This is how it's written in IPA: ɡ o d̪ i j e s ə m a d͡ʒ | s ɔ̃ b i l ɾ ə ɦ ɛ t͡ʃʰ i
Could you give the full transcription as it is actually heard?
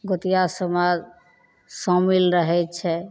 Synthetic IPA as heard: ɡ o t̪ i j a s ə m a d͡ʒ | s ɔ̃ m i l ɾ ə ɦ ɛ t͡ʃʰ ɛ